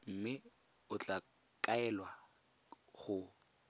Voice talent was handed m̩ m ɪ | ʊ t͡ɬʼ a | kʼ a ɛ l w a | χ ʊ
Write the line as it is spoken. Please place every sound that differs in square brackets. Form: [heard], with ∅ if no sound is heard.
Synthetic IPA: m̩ m ɪ | ʊ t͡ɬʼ a | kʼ a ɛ l w a | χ ʊ